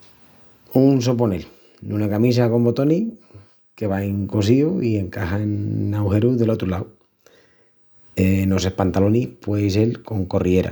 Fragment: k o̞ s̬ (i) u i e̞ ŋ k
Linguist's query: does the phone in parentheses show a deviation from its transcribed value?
no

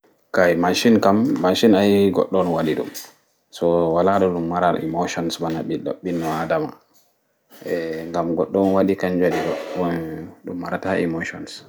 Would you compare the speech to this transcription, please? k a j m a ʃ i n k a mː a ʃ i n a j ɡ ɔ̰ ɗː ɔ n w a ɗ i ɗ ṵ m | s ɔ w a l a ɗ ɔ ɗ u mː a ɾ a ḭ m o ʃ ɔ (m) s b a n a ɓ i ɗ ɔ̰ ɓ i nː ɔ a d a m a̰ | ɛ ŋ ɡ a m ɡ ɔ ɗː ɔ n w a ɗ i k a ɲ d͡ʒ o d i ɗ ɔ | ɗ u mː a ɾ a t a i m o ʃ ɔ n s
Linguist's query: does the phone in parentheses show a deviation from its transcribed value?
yes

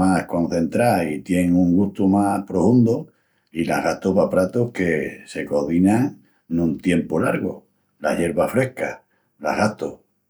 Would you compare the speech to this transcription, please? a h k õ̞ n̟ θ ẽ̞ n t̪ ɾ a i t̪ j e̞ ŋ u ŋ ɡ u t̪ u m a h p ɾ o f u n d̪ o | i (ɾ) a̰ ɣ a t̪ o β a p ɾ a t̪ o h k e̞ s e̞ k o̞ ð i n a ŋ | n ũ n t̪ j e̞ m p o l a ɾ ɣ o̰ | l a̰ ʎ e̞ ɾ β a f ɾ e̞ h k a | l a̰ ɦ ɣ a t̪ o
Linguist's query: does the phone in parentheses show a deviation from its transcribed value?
yes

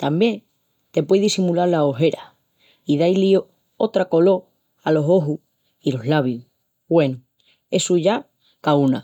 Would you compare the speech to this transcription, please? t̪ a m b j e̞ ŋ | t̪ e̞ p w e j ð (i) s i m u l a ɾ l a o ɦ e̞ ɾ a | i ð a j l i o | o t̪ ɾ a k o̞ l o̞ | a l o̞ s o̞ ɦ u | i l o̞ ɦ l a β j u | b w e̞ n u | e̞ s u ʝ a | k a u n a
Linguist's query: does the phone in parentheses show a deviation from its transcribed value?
no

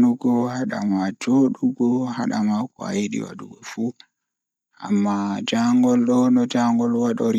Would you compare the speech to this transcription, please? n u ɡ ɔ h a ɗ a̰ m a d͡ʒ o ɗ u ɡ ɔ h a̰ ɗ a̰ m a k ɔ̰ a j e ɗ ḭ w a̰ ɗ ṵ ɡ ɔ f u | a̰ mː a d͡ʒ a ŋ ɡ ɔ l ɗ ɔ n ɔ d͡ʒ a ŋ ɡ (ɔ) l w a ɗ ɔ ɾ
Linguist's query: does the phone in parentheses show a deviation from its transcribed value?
no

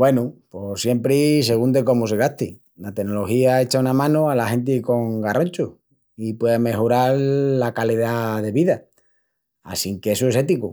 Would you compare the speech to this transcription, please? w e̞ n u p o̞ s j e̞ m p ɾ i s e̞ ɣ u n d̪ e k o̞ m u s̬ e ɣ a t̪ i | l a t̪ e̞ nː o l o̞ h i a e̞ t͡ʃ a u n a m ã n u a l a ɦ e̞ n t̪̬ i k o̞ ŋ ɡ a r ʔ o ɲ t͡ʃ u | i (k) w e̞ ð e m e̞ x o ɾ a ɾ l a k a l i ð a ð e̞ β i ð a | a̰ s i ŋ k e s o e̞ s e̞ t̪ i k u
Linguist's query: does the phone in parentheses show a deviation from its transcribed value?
yes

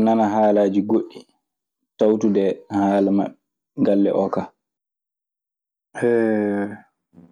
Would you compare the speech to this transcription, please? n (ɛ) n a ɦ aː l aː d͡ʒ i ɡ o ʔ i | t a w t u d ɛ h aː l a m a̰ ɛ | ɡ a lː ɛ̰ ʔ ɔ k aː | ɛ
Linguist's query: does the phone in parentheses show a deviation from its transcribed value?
yes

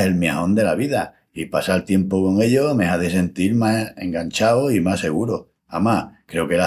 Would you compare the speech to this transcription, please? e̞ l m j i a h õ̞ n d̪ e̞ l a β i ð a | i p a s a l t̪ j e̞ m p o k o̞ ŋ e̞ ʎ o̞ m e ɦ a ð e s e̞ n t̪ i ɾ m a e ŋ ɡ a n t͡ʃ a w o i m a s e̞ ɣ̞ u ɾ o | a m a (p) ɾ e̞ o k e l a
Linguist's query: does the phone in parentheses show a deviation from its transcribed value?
yes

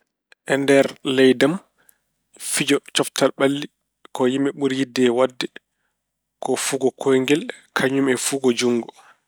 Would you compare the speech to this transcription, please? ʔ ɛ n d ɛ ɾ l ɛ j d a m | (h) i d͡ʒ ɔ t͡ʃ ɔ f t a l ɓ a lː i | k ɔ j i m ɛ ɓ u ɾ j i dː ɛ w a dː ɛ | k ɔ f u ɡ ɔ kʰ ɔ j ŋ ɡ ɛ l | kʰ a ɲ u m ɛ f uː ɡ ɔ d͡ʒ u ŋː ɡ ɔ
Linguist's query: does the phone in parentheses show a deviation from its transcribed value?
yes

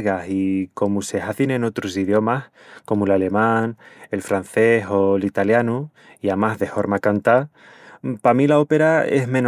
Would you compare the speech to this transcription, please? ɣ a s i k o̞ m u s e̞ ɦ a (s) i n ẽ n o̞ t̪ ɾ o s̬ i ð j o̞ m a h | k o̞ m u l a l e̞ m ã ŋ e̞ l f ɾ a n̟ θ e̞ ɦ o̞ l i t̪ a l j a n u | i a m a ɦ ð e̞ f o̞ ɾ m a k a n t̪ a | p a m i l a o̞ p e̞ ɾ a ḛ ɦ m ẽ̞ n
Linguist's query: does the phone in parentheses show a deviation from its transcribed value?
yes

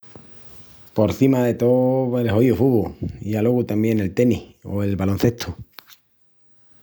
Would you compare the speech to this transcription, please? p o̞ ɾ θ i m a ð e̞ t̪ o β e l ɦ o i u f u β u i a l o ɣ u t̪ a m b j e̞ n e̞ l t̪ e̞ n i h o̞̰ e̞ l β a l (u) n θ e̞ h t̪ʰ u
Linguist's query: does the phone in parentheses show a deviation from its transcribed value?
yes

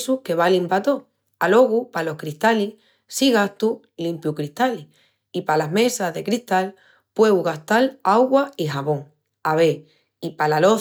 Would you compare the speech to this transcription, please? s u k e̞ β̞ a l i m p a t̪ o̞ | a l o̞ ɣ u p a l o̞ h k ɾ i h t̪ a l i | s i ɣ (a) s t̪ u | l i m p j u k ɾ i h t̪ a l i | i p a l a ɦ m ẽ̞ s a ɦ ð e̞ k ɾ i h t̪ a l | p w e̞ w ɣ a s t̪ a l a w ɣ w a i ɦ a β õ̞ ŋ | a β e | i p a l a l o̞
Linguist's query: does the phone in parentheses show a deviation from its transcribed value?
no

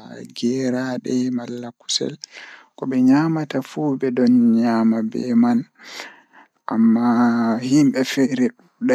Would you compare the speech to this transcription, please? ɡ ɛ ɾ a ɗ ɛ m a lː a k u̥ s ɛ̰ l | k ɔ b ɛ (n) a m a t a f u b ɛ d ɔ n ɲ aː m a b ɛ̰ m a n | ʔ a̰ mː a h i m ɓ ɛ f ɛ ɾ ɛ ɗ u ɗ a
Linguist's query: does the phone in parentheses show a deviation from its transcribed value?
yes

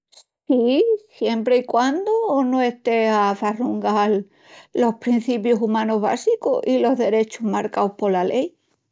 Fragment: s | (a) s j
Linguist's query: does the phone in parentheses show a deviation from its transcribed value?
yes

